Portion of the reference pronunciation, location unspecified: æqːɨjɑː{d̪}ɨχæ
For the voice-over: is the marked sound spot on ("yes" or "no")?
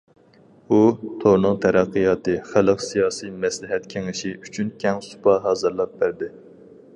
no